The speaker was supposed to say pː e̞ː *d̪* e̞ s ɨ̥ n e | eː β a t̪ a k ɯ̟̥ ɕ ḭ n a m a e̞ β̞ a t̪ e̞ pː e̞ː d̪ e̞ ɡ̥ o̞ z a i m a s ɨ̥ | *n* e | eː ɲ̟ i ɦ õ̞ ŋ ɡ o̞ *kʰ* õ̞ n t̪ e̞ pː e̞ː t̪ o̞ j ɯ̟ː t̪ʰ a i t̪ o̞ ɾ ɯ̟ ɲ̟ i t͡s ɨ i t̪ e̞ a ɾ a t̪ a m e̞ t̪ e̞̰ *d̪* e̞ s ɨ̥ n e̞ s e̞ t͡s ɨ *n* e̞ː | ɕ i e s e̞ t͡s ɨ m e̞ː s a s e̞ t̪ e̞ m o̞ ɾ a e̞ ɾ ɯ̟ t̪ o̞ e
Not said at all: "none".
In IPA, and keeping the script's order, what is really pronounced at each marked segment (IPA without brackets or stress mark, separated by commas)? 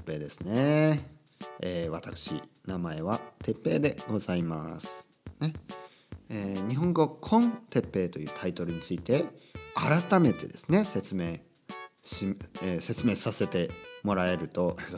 d̪, n, kʰ, d̪, m